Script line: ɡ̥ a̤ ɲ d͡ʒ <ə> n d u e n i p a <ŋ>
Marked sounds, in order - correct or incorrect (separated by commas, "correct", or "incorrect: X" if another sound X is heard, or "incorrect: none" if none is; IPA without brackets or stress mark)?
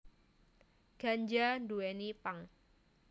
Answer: incorrect: a, correct